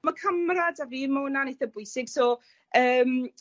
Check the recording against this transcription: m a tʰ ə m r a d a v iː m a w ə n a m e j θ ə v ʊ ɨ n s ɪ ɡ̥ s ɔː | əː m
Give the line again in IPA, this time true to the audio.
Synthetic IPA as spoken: m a kʰ ə m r a d a v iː m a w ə n a n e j θ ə b ʊ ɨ s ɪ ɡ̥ s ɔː | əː m